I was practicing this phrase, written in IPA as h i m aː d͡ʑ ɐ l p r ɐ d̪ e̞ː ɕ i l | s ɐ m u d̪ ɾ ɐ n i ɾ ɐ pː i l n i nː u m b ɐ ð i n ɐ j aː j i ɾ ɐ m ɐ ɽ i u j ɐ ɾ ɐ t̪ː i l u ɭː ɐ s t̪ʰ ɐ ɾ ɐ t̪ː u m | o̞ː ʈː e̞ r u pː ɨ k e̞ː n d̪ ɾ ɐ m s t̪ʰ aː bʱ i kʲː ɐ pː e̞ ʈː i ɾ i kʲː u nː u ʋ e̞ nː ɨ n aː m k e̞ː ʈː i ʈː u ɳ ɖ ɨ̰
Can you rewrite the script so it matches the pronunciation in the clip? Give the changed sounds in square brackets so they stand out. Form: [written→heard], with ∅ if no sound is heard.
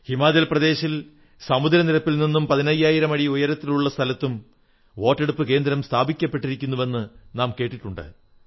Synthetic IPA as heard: h i m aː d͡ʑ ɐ l p r ɐ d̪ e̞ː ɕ i l | s ɐ m u d̪ ɾ ɐ n i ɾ ɐ pː i l n i nː u m [b→p] ɐ ð i n ɐ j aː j i ɾ ɐ m ɐ ɽ i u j ɐ ɾ ɐ t̪ː i l u ɭː ɐ s t̪ʰ ɐ [ɾ→l] ɐ t̪ː u m | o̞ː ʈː e̞ [r→ɽ] u pː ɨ k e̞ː n d̪ ɾ ɐ m s t̪ʰ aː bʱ i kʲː ɐ pː e̞ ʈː i ɾ i kʲː u nː u ʋ e̞ nː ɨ n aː m k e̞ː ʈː i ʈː u ɳ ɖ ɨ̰